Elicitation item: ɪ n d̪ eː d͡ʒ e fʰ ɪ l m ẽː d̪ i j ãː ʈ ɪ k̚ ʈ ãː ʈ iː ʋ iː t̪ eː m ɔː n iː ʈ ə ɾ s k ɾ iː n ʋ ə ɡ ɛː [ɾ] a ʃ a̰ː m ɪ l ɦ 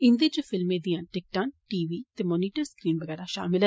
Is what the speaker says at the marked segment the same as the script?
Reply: yes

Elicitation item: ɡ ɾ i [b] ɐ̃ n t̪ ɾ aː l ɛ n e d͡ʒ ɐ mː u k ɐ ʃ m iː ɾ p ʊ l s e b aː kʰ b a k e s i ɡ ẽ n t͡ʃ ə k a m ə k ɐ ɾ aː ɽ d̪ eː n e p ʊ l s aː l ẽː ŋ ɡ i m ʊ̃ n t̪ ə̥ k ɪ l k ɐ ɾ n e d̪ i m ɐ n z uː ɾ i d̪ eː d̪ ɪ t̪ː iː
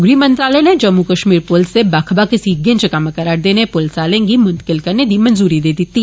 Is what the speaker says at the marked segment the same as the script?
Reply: no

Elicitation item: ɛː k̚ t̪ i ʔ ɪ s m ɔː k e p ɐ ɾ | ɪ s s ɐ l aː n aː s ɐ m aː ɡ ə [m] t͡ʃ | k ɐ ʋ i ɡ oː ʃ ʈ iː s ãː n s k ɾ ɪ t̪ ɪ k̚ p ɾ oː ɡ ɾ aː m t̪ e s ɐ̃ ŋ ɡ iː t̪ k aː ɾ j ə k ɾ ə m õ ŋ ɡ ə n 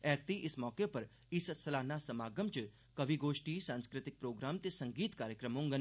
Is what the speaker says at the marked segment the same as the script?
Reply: yes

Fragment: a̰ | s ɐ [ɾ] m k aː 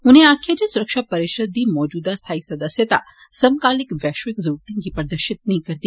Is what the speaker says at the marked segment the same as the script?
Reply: no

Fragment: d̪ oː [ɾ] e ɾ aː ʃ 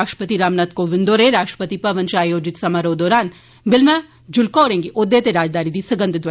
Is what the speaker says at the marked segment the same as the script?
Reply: yes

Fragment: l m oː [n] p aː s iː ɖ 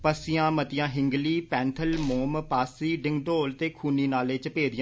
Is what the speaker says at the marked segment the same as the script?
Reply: no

